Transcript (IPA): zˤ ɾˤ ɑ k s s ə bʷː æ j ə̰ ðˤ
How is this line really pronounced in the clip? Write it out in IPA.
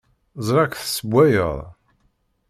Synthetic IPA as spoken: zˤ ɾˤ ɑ k θ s ə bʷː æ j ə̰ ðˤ